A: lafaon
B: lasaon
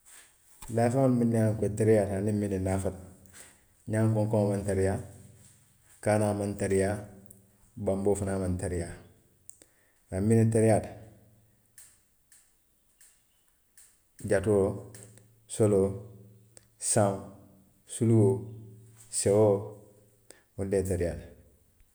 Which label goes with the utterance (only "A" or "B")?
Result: A